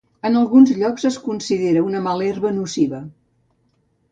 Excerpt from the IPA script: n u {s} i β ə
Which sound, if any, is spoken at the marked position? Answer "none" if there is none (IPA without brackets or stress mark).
s